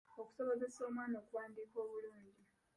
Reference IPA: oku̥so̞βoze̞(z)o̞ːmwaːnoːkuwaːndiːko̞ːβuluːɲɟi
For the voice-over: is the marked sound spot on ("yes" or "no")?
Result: no